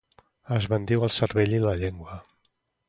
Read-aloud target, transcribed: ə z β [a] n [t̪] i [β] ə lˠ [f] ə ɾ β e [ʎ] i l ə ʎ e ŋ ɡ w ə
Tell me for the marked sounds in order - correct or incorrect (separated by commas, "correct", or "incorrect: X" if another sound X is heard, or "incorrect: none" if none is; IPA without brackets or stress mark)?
incorrect: ə, incorrect: d̪, incorrect: w, incorrect: s, correct